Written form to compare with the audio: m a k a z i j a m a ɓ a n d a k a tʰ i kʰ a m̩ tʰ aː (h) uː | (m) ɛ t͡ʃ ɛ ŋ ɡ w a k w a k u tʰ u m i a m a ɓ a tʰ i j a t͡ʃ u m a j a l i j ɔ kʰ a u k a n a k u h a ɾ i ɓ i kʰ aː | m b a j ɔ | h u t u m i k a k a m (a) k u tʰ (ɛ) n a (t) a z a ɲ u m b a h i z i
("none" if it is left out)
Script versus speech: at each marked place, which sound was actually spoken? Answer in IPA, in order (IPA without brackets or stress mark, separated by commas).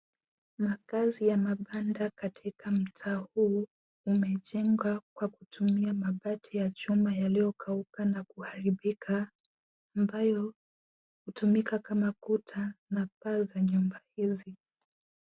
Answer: h, m, a, a, p